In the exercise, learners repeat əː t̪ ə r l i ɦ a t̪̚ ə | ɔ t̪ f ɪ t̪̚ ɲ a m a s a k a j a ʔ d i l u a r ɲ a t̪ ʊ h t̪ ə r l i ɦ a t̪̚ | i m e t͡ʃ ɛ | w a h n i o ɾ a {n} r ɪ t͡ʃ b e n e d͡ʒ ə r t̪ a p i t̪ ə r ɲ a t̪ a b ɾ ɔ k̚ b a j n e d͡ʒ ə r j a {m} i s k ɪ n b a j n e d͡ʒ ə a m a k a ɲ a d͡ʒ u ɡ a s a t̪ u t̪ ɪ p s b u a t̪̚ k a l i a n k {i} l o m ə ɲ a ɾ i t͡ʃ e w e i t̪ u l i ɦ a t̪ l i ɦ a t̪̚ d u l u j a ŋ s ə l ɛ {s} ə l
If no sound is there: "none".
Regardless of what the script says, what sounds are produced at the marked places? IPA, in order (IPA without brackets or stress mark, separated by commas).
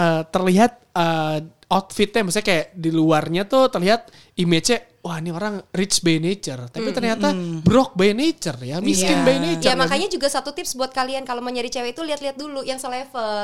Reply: ŋ, m, a, f